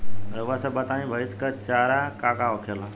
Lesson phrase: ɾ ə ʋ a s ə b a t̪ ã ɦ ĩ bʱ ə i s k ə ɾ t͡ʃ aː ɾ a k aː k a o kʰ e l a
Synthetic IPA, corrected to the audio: ɾ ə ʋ a s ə b a t̪ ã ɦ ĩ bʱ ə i s k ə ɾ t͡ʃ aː ɾ a k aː k a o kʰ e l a